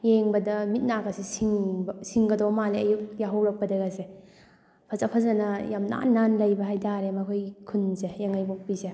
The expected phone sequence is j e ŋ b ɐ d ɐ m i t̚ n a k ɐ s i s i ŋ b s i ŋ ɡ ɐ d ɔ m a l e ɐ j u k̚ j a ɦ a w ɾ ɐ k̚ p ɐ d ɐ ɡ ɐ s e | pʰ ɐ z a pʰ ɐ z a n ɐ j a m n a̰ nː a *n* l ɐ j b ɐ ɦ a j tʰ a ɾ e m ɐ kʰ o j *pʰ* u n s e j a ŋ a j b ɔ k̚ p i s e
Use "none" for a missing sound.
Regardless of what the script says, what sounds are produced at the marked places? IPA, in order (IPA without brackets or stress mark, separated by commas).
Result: n, kʰ